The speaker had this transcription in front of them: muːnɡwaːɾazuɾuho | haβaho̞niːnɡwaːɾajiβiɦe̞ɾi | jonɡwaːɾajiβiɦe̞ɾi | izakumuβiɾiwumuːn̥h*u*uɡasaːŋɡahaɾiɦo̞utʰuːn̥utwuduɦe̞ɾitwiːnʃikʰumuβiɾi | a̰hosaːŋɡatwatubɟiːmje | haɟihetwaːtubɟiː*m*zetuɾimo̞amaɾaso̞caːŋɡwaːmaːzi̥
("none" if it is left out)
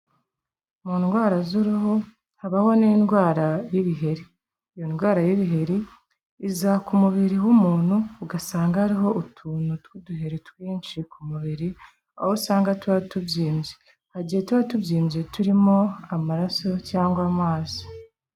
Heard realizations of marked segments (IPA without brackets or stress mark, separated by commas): u, m